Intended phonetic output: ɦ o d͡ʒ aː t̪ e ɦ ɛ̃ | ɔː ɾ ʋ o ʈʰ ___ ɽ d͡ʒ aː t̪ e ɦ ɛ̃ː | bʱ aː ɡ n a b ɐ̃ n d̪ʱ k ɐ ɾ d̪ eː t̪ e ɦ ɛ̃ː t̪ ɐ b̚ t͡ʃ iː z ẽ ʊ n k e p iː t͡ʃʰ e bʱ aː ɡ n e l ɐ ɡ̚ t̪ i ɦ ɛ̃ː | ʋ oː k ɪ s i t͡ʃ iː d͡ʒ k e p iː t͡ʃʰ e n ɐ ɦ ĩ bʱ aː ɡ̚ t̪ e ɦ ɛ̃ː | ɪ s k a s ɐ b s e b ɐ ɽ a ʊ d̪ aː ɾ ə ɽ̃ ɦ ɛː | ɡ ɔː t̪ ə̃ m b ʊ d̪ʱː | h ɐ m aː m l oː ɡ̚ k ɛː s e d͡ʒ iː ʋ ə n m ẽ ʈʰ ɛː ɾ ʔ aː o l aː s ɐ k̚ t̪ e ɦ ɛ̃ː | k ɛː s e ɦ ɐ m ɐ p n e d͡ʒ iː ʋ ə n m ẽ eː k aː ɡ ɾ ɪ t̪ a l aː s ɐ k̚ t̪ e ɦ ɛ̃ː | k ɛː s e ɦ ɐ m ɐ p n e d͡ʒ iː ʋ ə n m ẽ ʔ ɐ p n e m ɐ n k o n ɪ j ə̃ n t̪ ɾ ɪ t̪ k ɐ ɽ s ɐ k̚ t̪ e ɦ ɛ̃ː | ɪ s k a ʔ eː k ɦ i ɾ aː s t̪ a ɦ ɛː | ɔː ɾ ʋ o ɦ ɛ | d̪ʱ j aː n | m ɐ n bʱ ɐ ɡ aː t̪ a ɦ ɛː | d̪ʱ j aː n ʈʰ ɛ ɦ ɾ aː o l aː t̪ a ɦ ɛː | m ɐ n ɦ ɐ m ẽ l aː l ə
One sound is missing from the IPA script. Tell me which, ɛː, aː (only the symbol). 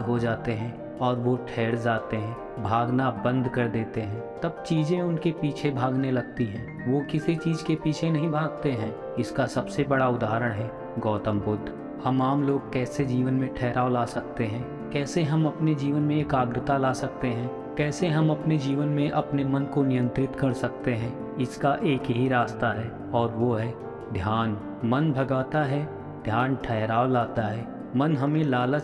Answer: ɛː